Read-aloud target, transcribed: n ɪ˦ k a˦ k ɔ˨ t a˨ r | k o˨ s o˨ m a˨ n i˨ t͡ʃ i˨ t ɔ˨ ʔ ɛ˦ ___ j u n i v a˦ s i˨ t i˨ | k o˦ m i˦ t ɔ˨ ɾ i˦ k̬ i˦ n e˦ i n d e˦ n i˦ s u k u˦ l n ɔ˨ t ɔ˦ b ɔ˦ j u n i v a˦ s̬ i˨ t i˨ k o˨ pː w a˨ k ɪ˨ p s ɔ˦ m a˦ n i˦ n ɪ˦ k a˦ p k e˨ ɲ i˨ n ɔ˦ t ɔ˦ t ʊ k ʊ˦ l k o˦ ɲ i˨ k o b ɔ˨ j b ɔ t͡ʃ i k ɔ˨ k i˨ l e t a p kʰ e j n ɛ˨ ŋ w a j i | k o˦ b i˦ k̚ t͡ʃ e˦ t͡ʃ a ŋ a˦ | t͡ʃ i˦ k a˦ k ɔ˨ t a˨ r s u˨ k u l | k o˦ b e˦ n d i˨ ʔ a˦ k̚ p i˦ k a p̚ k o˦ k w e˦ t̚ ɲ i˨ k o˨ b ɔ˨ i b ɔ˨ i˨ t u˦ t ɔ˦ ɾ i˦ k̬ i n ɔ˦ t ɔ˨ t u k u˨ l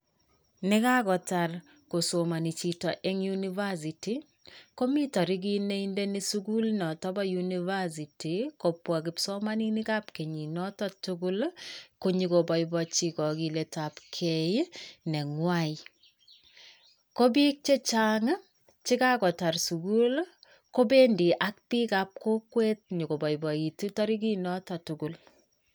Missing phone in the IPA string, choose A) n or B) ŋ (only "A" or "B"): B